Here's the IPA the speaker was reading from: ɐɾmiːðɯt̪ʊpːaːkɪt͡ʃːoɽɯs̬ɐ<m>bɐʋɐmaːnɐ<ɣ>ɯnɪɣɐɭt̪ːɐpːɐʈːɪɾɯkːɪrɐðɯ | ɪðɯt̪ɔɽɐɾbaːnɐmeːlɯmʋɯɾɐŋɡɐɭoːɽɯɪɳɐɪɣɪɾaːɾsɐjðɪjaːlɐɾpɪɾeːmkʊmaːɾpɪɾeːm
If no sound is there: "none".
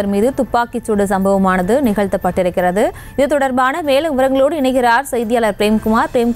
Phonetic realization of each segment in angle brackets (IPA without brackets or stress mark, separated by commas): m, ð